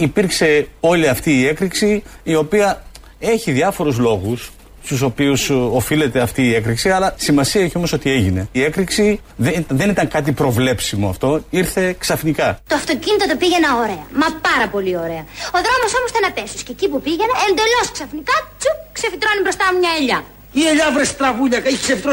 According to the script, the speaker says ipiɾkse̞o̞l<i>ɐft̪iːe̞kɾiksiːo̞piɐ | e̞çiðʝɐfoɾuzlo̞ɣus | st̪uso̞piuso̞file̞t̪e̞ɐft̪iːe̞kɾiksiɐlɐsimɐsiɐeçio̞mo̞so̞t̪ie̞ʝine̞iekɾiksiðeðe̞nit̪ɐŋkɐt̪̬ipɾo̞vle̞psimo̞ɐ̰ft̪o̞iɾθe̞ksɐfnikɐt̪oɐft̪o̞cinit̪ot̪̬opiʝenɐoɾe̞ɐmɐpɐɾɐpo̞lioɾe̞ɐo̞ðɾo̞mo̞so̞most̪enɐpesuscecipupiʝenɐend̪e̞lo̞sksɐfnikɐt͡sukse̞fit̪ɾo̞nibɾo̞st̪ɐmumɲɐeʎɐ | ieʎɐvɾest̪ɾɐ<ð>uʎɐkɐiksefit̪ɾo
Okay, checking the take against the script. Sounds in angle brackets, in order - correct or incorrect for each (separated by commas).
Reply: correct, incorrect